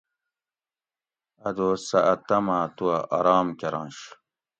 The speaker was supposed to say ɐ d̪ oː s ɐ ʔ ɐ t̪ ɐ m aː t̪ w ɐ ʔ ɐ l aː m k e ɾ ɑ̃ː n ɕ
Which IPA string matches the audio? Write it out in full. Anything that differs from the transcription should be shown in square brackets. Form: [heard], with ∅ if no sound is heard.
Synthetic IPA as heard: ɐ d̪ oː s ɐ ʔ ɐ t̪ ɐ m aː t̪ [u] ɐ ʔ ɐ [ɾ] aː m k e ɾ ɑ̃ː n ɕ